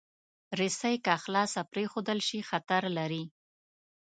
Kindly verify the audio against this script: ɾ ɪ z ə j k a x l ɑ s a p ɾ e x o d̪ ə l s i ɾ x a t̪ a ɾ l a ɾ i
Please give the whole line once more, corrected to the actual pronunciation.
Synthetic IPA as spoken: ɾ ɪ s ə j k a x l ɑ s a p ɾ e x o d̪ ə l ʃ i x a t̪ a ɾ l a ɾ i